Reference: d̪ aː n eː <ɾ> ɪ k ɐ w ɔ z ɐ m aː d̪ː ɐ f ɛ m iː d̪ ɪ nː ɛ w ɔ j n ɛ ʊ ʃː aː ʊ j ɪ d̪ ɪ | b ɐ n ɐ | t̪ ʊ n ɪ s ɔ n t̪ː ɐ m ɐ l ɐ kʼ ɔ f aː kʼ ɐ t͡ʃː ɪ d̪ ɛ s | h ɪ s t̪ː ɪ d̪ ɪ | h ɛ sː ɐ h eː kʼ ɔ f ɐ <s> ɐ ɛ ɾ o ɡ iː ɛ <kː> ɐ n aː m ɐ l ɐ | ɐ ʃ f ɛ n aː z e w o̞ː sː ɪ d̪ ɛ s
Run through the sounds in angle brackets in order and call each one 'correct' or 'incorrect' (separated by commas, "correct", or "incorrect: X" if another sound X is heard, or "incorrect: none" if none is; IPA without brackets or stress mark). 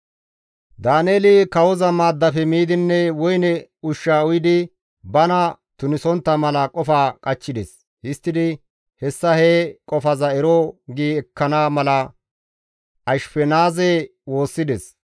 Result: incorrect: l, incorrect: z, correct